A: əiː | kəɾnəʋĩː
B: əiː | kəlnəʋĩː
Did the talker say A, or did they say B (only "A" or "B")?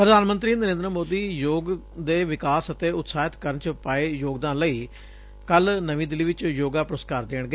B